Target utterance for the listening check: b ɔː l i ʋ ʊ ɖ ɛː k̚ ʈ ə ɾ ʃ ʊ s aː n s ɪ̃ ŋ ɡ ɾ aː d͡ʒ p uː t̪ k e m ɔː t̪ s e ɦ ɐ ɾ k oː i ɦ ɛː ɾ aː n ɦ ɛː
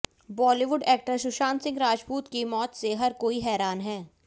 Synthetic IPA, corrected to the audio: b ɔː l i ʋ ʊ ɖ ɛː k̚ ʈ ə ɾ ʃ ʊ ʃ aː n s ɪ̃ ŋ ɡ ɾ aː d͡ʒ p uː t̪ k i m ɔː t̪ s e ɦ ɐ ɾ k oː i ɦ ɛː ɾ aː n ɦ ɛː